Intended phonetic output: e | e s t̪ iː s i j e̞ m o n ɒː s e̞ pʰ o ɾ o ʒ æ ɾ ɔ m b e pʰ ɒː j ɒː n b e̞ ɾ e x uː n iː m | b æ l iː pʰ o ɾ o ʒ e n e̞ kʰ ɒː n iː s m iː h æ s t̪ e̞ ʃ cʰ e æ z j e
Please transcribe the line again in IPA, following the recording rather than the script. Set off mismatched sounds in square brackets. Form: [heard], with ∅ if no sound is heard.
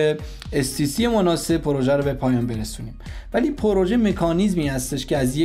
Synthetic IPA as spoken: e | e s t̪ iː s i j e̞ m o n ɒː s e̞ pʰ o ɾ o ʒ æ ɾ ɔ [∅] b e pʰ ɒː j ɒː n b e̞ ɾ e [s] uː n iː m | [v] æ l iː pʰ o ɾ o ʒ e [m] e̞ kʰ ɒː n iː [z] m iː h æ s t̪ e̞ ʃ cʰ e æ z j e